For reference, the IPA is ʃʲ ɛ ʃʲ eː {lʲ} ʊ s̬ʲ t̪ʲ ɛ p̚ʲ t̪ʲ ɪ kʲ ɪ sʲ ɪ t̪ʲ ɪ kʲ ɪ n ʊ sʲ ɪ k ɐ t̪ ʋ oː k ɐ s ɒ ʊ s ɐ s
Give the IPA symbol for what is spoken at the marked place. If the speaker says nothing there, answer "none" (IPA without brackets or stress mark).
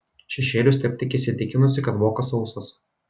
lʲ